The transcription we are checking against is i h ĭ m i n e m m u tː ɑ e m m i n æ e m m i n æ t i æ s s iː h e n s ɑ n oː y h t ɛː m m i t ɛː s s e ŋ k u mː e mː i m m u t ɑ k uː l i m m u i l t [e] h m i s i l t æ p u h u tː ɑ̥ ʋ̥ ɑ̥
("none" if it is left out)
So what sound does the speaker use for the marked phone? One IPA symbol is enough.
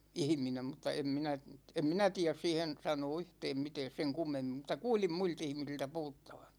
i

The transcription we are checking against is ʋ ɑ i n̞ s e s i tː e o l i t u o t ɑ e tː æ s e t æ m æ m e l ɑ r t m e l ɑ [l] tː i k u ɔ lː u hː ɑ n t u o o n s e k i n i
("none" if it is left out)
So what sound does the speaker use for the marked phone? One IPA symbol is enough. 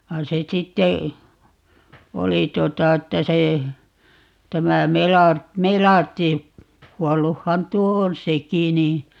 r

